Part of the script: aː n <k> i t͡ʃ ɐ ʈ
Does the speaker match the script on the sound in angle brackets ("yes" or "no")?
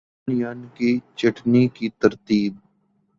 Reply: yes